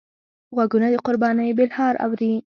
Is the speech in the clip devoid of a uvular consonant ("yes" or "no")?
no